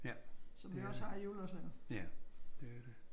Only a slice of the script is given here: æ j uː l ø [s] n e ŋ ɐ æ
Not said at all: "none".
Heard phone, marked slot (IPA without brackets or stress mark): s